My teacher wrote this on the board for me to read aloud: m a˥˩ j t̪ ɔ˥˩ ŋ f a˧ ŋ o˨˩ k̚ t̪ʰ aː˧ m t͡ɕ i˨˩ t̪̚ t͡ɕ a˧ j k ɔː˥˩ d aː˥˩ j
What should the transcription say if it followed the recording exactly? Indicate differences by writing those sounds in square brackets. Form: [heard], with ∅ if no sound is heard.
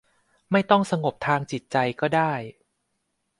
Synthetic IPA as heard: m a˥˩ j t̪ ɔ˥˩ ŋ [s] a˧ ŋ o˨˩ [p̚] t̪ʰ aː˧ [ŋ] t͡ɕ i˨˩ t̪̚ t͡ɕ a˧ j k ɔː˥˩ d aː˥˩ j